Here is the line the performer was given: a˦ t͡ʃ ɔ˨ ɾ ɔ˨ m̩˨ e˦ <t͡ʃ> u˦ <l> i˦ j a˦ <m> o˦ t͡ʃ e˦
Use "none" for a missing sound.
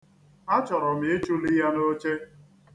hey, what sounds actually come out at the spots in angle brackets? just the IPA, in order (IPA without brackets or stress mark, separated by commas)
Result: t͡ʃ, l, n